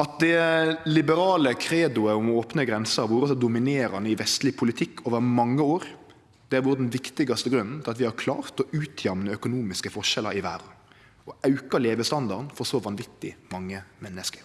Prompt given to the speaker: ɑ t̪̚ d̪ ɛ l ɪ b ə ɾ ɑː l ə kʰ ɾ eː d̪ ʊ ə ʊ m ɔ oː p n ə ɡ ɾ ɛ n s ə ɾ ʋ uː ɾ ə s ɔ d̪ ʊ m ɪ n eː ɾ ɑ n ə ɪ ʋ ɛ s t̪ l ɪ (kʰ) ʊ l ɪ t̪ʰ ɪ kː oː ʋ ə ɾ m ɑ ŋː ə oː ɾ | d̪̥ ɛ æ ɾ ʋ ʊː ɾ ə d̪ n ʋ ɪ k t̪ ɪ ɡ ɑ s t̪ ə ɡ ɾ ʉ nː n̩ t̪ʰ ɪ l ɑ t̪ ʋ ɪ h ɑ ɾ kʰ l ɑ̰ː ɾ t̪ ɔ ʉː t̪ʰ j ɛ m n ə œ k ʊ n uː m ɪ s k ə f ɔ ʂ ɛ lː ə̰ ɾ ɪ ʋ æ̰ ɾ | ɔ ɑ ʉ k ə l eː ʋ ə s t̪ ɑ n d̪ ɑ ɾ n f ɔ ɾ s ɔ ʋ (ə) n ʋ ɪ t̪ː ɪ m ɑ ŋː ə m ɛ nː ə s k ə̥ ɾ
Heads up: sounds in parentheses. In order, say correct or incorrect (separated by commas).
incorrect, incorrect